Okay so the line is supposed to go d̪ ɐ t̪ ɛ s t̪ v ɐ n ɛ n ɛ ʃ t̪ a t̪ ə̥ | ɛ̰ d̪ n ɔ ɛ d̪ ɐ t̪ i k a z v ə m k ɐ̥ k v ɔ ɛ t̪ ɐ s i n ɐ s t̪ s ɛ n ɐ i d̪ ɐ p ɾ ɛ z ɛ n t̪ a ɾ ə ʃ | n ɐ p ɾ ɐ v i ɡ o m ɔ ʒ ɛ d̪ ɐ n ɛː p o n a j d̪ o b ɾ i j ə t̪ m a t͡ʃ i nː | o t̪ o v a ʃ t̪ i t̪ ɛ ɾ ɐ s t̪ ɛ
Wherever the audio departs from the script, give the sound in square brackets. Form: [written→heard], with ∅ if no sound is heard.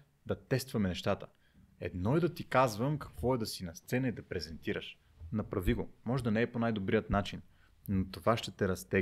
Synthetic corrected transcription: d̪ ɐ t̪ ɛ s t̪ v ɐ [n→m] ɛ n ɛ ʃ t̪ a t̪ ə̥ | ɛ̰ d̪ n ɔ ɛ d̪ ɐ t̪ i k a z v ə m k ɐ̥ k v ɔ ɛ [t̪→d̪] ɐ s i n ɐ s t̪ s ɛ n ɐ i d̪ ɐ p ɾ ɛ z ɛ n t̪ [a→i] ɾ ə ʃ | n ɐ p ɾ ɐ v i ɡ o m ɔ ʒ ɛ d̪ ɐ n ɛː p o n a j d̪ o b ɾ i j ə t̪ [m→n] a t͡ʃ i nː | o t̪ o v a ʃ t̪ [i→ɛ] t̪ ɛ ɾ ɐ s t̪ ɛ